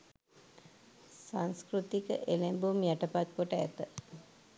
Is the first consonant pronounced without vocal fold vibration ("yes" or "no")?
yes